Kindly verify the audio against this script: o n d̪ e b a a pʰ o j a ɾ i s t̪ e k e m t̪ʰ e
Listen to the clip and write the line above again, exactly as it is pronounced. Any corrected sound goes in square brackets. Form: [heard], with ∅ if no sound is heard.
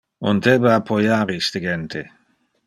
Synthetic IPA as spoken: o n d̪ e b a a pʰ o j a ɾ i s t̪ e [ɡ] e [n] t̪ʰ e